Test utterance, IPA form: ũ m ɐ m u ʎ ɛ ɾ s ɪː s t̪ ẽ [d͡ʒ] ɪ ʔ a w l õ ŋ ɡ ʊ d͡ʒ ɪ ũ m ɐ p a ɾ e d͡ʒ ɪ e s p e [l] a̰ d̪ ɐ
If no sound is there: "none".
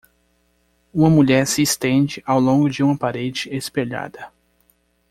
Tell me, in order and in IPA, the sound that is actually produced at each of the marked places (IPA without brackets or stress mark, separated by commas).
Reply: d͡ʒ, ʎ